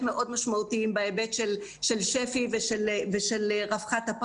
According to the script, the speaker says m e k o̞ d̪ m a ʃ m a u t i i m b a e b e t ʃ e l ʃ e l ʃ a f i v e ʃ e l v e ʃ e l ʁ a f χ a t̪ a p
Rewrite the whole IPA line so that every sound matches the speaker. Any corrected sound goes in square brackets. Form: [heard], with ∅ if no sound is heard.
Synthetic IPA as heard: m e [ʔ] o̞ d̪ m a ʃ m a u t i i m b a e b e t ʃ e l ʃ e l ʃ [e] f i v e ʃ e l v e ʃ e l ʁ a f χ a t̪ a p